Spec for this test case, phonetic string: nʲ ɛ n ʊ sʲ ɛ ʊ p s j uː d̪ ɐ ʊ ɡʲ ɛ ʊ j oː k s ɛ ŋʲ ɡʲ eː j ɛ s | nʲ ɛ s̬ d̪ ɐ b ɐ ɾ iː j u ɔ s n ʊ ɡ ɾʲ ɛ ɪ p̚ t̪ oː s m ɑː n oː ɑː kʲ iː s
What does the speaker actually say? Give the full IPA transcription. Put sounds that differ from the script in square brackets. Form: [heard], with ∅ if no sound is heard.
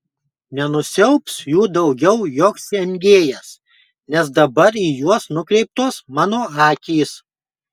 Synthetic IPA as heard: nʲ ɛ n ʊ sʲ ɛ ʊ p s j uː d̪ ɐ ʊ ɡʲ ɛ ʊ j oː k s ɛ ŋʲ ɡʲ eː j ɛ s | nʲ ɛ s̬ d̪ ɐ b ɐ ɾ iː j u ɔ s n ʊ [k] ɾʲ ɛ ɪ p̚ t̪ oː s m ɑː n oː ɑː kʲ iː s